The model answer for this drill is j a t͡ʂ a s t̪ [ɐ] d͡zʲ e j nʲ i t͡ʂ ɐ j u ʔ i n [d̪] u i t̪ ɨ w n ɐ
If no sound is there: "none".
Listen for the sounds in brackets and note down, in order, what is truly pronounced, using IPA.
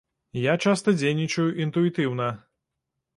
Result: ɐ, t̪

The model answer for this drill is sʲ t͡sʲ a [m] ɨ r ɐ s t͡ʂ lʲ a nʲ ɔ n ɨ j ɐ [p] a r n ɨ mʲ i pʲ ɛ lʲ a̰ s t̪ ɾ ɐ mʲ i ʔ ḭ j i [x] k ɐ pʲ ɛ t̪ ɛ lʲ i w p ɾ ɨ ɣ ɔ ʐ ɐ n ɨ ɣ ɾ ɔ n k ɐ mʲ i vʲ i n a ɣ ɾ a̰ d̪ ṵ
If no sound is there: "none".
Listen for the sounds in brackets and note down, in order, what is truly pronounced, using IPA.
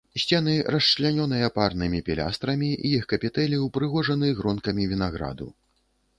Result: n, p, x

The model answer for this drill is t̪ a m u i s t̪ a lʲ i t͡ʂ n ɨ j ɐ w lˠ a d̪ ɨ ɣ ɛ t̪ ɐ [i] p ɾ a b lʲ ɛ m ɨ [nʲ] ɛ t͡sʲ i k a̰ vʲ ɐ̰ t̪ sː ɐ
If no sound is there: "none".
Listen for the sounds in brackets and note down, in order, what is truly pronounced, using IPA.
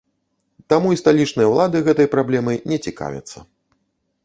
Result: j, nʲ

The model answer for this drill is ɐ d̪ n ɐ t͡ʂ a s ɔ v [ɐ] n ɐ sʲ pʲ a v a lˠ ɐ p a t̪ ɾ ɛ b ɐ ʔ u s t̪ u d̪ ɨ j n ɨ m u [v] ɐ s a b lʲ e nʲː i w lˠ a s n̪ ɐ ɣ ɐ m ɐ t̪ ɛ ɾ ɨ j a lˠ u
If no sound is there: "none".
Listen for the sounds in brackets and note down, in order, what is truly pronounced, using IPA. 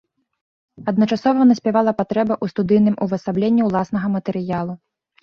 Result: ɐ, v

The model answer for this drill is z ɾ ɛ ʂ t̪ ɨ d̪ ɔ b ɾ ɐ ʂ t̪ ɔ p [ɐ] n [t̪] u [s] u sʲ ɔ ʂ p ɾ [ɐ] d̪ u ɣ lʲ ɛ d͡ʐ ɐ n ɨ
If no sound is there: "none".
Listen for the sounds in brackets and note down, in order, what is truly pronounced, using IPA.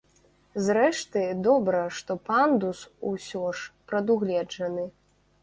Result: a, d̪, s, ɐ

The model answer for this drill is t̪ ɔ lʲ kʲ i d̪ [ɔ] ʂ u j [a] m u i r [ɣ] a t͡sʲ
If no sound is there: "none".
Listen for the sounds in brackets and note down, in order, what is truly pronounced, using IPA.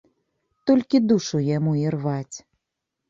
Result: u, a, v

